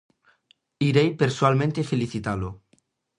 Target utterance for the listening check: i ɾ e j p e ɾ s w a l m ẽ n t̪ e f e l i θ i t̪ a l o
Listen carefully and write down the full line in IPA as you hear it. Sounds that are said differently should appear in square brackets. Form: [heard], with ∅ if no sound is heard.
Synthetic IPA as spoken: i ɾ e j p e ɾ s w a l m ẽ n t̪ e f e l i θ i t̪ a l o